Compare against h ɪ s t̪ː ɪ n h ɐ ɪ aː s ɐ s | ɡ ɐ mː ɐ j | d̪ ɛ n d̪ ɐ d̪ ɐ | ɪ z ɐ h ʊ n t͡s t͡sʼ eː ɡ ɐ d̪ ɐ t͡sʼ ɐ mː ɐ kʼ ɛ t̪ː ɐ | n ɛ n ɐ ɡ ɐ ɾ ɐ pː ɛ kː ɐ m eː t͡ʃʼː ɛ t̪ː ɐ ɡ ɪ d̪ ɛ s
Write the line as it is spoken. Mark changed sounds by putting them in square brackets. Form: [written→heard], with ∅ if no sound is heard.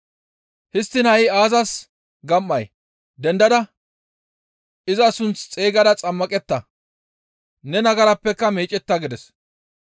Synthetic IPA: h ɪ s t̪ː ɪ n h ɐ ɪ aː [s→z] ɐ s | ɡ ɐ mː ɐ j | d̪ ɛ n d̪ ɐ d̪ ɐ | ɪ z ɐ [h→s] ʊ n t͡s t͡sʼ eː ɡ ɐ d̪ ɐ t͡sʼ ɐ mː ɐ kʼ ɛ t̪ː ɐ | n ɛ n ɐ ɡ ɐ ɾ ɐ pː ɛ kː ɐ m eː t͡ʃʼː ɛ t̪ː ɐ ɡ ɪ d̪ ɛ s